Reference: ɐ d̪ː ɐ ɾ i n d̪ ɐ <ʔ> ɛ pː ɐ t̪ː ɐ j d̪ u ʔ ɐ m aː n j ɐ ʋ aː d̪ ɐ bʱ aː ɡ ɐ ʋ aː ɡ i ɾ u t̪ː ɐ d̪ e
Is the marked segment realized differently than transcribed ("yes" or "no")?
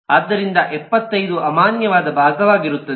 no